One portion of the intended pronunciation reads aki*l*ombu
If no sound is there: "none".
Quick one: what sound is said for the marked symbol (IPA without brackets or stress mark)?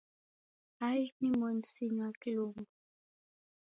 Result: l